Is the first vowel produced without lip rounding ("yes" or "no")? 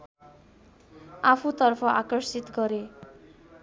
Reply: yes